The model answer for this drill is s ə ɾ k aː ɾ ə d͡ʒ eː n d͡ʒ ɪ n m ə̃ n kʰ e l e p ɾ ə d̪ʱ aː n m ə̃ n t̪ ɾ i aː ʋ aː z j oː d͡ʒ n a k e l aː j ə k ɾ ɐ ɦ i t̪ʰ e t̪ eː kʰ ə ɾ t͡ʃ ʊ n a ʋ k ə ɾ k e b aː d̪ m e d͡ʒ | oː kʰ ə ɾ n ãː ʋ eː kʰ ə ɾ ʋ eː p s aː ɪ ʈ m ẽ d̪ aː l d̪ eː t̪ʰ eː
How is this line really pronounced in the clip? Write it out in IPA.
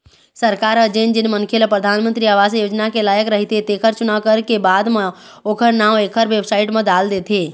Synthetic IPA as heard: s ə ɾ k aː ɾ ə d͡ʒ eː n d͡ʒ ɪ n m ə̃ n kʰ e l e p ɾ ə d̪ʱ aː n m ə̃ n t̪ ɾ i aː ʋ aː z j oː d͡ʒ n a k e l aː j ə k ɾ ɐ ɦ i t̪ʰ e t̪ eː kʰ ə ɾ t͡ʃ ʊ n a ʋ k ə ɾ k e b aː d̪ m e | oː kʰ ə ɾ n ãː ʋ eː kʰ ə ɾ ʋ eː b s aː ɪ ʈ m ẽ d̪ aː l d̪ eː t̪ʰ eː